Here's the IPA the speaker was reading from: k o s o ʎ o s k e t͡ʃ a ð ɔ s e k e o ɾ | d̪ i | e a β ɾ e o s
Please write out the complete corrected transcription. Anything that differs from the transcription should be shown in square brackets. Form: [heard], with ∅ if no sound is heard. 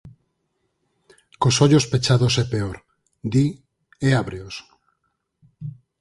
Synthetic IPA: k o s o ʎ o s [p] e t͡ʃ a ð [o] s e [p] e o ɾ | d̪ i | e a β ɾ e o s